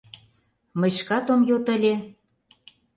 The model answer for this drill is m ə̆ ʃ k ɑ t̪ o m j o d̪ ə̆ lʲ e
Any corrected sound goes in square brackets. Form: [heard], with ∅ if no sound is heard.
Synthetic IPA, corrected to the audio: m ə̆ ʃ k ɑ t̪ o m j o [t̪] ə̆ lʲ e

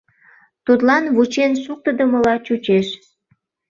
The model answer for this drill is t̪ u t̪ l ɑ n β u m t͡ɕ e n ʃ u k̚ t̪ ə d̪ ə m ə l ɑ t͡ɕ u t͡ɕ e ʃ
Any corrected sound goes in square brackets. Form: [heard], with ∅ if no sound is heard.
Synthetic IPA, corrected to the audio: t̪ u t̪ l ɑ n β u [∅] t͡ɕ e n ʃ u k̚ t̪ ə d̪ ə m ə l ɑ t͡ɕ u t͡ɕ e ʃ

